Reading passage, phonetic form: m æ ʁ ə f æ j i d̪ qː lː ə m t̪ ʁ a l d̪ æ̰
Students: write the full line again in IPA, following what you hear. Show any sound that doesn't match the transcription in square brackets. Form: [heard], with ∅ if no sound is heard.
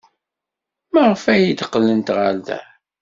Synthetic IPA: m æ ʁ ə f æ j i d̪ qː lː ə [n] t̪ ʁ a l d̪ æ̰